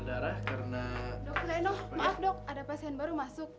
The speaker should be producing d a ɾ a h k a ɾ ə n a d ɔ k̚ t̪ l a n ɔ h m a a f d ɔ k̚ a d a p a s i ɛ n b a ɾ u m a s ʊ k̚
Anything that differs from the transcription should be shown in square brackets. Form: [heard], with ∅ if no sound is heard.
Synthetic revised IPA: d a ɾ a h k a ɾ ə n a d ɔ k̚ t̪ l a n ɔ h m a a f d ɔ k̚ a d a p a s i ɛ n b a ɾ u m a s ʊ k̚